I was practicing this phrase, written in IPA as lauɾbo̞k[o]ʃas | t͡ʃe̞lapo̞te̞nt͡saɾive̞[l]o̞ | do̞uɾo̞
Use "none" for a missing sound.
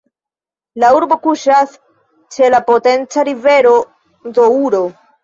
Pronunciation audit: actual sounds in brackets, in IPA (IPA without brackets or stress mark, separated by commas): u, ɾ